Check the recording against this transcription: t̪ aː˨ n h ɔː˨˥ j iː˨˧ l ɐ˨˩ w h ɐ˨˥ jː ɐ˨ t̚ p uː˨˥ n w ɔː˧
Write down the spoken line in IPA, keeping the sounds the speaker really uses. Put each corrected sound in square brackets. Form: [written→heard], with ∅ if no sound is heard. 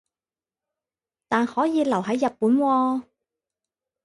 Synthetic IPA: t̪ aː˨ n h ɔː˨˥ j iː˨˧ l ɐ˨˩ w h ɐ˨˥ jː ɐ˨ t̚ p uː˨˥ n w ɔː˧